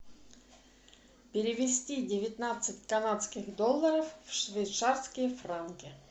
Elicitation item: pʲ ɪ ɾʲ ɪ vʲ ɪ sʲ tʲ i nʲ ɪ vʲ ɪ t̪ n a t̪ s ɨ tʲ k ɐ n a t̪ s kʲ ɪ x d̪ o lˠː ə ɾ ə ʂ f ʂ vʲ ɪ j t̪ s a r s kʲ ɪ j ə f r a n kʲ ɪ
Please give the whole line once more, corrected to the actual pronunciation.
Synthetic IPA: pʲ ɪ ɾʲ ɪ vʲ ɪ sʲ tʲ i dʲ ɪ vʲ ɪ t̪ n a t̪ s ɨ tʲ k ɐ n a t̪ s kʲ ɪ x d̪ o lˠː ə ɾ ə f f ʂ vʲ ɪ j t̪ s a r s kʲ ɪ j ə f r a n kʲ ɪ